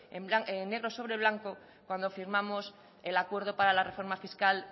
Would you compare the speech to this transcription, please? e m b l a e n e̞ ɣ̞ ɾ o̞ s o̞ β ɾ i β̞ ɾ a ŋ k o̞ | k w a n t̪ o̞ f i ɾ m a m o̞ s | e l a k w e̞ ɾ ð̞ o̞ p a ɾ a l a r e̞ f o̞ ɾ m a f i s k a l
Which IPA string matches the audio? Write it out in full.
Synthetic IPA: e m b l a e n e̞ ɣ̞ ɾ o̞ s o̞ β ɾ e β̞ l a ŋ k o̞ | k w a n d̪ o̞ f i ɾ m a m o̞ s | e l a k w e̞ ɾ ð̞ o̞ p a ɾ a l a r e̞ f o̞ ɾ m a f i s k a l